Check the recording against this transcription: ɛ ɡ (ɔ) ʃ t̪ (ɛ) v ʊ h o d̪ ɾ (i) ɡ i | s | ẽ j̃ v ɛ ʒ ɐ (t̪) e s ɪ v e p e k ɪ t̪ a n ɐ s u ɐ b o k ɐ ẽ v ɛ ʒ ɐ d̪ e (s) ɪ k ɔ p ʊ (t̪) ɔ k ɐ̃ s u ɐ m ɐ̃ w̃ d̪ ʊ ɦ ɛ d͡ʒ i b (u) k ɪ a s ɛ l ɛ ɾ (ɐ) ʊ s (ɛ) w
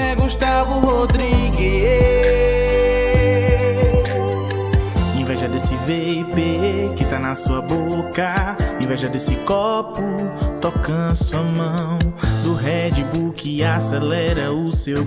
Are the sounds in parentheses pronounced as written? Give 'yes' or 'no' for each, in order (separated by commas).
no, no, yes, no, yes, yes, yes, yes, no